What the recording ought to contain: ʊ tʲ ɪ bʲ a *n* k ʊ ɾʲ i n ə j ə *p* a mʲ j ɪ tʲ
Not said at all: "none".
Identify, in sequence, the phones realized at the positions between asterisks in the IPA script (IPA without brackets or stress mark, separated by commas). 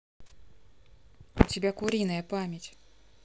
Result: none, p